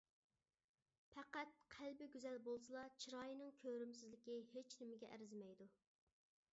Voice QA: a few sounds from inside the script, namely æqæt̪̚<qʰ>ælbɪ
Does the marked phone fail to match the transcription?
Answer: no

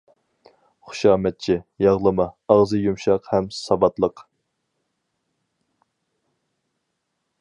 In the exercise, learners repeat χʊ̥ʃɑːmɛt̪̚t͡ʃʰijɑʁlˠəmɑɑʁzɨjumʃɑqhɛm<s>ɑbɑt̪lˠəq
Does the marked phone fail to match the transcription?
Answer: no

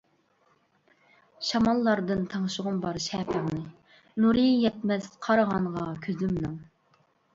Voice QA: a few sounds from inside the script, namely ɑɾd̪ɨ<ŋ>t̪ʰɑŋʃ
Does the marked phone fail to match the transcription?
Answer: yes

